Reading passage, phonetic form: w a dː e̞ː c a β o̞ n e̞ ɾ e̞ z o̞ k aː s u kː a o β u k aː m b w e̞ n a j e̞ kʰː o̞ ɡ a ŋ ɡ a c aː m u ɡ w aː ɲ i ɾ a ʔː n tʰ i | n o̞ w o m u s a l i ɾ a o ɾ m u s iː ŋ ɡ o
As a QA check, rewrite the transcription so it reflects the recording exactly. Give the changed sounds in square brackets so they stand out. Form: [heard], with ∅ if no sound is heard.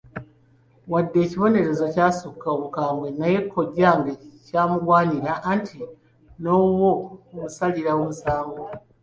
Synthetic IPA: w a dː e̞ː c [i] β o̞ n e̞ ɾ e̞ z o̞ [c] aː s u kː a o β u k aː m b w e̞ n a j e̞ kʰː o̞ [ɟ] a ŋ ɡ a c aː m u ɡ w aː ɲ i ɾ a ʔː n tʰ i | n o̞ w o m u s a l i ɾ a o [∅] m u s [aː] ŋ ɡ o